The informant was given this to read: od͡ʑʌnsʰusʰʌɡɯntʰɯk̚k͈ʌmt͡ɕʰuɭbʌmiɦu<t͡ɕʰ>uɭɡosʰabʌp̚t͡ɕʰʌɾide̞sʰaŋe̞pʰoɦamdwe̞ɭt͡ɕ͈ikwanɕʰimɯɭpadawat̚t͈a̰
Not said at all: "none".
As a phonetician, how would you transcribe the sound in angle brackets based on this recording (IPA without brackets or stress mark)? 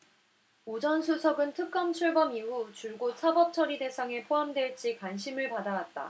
t͡ɕ